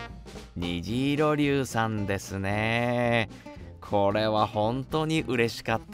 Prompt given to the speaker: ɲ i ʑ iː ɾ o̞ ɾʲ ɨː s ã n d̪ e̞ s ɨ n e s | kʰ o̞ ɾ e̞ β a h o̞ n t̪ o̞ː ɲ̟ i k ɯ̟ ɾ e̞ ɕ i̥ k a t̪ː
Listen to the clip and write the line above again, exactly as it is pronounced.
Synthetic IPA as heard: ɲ i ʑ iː ɾ o̞ ɾʲ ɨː s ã n d̪ e̞ s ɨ n e | kʰ o̞ ɾ e̞ β a h õ̞ n t̪ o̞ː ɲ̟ i ʔ ɯ̟ ɾ e̞ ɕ i̥ k a t̪ː